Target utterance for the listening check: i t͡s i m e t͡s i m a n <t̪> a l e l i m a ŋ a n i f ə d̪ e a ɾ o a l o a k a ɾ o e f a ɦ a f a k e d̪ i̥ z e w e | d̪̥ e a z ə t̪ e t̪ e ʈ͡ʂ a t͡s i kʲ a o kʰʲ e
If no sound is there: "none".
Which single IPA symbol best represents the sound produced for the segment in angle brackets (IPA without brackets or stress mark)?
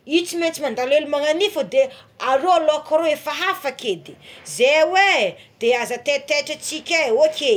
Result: d̪